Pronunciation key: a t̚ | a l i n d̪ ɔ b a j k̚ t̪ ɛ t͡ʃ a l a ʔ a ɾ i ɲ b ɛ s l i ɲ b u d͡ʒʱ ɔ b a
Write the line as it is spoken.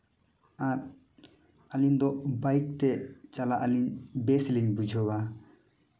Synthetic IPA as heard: a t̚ | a l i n d̪ ɔ b a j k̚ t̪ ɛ t͡ʃ a l a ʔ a l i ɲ b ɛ s l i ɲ b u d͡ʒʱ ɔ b a